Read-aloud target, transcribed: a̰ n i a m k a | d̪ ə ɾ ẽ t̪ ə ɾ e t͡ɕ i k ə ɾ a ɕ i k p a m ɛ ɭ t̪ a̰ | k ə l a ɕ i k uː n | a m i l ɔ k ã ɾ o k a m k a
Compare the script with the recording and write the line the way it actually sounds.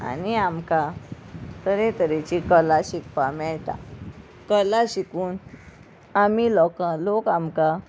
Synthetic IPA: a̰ n i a m k a | t̪ ə ɾ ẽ t̪ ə ɾ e t͡ɕ i k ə l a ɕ i k p a m ɛ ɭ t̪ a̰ | k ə l a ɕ i k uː n | a m i l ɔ k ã l o k a m k a